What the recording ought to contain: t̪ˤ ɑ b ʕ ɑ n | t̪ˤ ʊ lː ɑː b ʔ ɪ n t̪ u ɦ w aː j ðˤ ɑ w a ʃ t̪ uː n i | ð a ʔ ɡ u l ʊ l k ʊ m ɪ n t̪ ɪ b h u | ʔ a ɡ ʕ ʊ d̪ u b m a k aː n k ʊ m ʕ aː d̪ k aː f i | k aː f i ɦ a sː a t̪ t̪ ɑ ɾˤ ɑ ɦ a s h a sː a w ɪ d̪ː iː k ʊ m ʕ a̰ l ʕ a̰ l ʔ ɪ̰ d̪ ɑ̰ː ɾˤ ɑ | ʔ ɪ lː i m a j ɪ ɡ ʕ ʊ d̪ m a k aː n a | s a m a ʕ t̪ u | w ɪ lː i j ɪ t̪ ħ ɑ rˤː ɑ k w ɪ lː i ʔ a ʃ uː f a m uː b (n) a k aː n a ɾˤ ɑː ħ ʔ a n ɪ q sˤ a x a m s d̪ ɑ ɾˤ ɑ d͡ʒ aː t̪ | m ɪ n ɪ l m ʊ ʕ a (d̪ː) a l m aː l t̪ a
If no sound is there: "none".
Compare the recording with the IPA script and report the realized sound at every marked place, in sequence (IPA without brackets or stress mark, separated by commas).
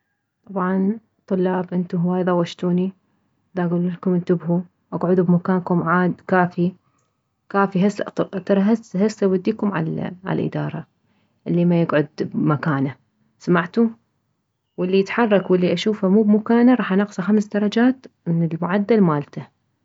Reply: m, d̪ː